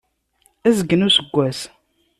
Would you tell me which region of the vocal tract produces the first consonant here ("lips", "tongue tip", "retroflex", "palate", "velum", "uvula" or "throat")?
tongue tip